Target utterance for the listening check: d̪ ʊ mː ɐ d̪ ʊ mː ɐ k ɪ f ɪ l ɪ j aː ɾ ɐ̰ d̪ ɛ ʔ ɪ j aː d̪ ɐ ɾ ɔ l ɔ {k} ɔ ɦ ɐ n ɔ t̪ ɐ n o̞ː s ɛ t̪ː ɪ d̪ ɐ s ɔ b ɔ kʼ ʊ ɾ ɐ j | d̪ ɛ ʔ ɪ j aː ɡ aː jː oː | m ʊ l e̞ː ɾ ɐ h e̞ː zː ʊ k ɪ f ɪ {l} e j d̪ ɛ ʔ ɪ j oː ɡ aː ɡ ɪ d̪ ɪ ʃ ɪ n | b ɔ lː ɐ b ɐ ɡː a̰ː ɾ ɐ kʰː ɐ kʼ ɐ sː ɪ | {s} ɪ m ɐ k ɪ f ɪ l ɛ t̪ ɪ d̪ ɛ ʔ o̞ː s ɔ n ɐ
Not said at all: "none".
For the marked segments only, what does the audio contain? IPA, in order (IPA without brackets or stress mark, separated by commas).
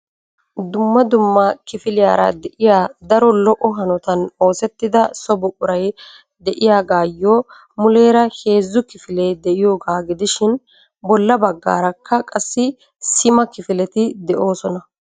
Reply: ʔ, l, s